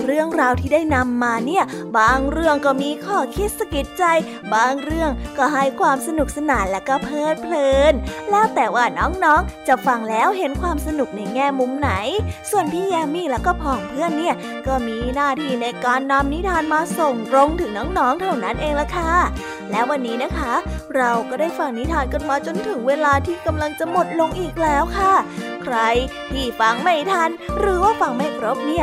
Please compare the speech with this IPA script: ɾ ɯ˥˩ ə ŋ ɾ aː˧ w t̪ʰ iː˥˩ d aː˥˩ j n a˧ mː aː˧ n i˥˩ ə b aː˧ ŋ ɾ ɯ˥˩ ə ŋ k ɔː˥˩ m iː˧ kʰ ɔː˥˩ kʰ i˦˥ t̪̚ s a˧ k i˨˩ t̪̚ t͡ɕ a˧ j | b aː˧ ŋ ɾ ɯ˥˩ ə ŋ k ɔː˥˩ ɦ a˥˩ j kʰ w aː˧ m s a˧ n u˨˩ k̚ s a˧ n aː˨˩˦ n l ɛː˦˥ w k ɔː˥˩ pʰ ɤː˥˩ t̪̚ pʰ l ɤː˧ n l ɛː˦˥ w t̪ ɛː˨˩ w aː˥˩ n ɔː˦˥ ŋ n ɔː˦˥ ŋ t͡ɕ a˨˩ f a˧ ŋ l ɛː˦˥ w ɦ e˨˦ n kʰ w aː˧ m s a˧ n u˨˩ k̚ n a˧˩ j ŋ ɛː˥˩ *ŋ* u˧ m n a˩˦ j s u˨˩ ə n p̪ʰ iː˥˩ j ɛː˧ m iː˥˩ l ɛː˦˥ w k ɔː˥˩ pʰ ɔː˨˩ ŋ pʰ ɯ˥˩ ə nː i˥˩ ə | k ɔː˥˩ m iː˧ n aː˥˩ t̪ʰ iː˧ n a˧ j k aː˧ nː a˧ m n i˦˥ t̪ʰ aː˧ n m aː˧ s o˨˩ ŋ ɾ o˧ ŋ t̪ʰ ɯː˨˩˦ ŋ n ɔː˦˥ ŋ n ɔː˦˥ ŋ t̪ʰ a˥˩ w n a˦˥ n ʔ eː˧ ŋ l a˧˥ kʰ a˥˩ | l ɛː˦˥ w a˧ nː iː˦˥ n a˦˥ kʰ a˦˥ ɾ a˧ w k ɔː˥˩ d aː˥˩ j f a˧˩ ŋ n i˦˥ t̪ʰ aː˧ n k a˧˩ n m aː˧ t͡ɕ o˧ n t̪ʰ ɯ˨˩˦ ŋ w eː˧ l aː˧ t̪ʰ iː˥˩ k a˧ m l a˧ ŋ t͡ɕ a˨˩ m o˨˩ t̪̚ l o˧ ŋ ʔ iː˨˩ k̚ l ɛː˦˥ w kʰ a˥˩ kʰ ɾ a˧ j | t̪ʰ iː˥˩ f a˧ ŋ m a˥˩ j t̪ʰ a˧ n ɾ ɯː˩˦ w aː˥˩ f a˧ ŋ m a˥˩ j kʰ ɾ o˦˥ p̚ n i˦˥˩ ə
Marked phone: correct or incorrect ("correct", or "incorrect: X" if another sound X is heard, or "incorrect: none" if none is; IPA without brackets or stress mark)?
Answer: incorrect: m